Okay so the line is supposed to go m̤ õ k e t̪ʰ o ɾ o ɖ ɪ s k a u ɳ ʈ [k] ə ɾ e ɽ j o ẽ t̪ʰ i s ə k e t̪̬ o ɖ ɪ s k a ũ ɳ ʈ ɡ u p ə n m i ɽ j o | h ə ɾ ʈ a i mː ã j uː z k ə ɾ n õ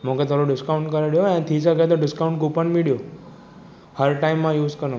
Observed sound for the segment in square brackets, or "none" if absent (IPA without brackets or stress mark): k